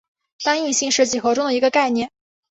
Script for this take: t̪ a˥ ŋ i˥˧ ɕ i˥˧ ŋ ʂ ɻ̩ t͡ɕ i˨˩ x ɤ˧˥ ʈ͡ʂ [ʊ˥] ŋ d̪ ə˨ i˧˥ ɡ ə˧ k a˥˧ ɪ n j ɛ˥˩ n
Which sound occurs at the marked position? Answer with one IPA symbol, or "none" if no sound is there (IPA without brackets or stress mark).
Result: ʊ˥